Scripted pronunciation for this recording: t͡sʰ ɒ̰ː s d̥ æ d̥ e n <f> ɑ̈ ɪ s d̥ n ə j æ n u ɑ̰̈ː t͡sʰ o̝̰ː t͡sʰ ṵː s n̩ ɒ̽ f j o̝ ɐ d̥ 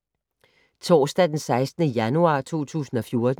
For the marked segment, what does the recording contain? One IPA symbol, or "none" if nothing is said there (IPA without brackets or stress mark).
s